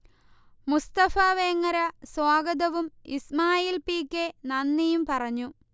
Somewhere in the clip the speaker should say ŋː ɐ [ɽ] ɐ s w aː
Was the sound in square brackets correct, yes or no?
no